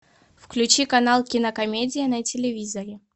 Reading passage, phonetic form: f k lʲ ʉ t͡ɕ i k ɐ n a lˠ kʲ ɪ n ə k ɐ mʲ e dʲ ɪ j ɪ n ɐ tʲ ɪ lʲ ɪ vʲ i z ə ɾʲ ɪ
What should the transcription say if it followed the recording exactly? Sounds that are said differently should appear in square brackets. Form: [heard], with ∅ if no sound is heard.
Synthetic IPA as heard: f k lʲ ʉ t͡ɕ i k ɐ n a lˠ kʲ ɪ n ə k ɐ mʲ e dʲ ɪ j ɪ n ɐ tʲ ɪ lʲ ɪ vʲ i z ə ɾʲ ɪ